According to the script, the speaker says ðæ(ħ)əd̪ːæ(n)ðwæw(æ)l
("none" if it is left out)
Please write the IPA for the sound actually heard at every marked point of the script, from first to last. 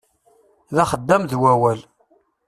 χ, m, æ

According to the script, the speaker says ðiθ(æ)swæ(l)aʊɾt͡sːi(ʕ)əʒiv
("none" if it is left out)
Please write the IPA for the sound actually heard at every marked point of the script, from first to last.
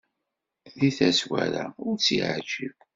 æ, ɾ, ʕ

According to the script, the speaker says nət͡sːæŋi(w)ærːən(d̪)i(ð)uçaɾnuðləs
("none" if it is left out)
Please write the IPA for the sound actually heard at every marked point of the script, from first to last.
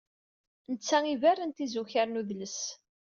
v, t̪, z

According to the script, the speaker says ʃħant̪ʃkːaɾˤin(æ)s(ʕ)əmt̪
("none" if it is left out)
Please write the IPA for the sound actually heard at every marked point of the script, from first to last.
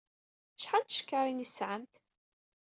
i, ʕ

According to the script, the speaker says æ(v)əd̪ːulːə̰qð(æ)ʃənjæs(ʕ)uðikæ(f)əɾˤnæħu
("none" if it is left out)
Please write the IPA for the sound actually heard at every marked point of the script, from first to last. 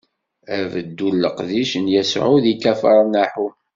v, i, ʕ, f

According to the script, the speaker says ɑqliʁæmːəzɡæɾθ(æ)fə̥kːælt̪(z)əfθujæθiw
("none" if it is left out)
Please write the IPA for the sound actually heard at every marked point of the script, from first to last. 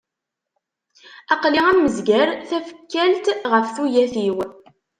æ, ʁ

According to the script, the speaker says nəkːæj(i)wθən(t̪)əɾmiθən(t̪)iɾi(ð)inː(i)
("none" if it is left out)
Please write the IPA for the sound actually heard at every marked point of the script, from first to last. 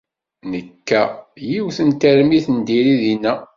i, t̪, d̪, ð, æ

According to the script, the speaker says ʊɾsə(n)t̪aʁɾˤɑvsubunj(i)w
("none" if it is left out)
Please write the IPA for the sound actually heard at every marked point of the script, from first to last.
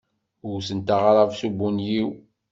n, i

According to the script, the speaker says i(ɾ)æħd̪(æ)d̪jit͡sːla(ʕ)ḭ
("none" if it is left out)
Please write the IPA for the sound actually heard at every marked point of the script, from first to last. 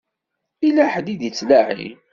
l, i, ʕ

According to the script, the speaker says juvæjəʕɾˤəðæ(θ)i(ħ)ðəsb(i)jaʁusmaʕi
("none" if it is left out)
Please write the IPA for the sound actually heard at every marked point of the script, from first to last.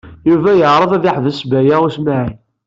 ð, ħ, æ

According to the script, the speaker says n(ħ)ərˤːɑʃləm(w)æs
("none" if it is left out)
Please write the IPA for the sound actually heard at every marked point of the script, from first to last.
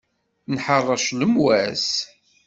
ħ, w

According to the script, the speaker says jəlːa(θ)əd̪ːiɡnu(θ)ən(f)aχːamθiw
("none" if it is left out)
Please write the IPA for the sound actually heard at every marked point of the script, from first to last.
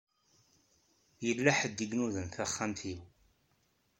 ħ, ð, θ

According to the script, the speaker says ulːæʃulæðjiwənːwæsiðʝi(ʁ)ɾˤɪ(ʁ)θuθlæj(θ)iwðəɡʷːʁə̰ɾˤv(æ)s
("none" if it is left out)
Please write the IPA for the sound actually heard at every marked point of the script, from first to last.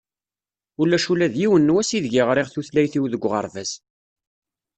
ʁ, ʁ, θ, æ

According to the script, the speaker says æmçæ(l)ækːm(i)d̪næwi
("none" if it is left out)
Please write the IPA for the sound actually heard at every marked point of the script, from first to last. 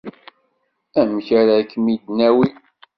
ɾ, i

